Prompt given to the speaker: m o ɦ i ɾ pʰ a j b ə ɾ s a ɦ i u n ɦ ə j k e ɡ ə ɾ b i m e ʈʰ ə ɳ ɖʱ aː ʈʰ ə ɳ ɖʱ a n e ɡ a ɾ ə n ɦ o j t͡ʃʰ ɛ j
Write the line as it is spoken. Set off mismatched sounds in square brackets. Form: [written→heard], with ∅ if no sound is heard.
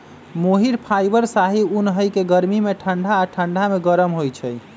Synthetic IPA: m o ɦ i ɾ pʰ a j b ə ɾ s a ɦ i u n ɦ ə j k e ɡ ə ɾ [b→m] i m e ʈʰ ə ɳ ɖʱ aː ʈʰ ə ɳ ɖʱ a [n→m] e ɡ [a→ə] ɾ ə [n→m] ɦ o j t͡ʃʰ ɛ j